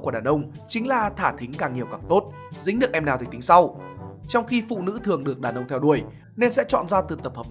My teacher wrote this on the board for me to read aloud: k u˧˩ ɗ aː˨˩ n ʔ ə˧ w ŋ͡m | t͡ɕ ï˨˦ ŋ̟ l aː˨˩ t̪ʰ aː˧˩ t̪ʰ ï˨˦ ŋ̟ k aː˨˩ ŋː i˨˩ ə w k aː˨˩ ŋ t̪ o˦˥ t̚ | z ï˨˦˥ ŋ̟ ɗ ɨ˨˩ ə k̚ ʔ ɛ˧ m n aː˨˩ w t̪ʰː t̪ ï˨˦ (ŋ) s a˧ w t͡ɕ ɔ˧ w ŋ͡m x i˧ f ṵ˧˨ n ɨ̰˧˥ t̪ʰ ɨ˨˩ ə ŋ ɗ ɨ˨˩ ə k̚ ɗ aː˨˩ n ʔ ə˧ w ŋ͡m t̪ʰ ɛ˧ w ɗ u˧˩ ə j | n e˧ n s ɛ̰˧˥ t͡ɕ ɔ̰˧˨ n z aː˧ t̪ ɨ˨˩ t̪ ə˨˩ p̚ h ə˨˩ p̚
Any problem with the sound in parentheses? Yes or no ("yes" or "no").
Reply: no